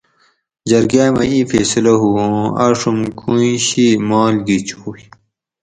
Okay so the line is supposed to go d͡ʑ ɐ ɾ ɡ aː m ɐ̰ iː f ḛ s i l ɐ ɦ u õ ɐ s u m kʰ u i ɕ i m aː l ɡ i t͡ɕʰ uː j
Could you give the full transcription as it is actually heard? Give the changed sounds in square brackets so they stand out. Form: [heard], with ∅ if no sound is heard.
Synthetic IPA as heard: d͡ʑ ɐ ɾ ɡ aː m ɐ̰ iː f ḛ s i l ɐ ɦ u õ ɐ [ʂ] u m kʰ u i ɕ i m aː l ɡ i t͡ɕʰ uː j